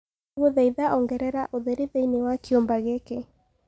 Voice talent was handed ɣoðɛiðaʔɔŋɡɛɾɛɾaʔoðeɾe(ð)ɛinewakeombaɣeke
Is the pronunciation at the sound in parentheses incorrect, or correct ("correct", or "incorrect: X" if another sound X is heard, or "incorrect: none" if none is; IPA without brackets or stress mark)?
correct